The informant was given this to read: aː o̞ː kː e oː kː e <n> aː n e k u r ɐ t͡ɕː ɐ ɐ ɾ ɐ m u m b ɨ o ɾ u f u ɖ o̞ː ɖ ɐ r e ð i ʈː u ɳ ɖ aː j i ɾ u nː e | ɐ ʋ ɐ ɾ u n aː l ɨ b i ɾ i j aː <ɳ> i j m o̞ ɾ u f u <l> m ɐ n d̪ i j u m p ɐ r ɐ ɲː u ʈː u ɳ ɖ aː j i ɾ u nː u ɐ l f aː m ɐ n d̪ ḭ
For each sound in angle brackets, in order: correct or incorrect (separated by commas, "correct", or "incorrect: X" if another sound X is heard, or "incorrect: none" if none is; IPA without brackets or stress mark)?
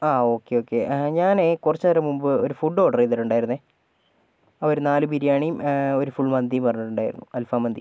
incorrect: ɲ, correct, incorrect: ɭ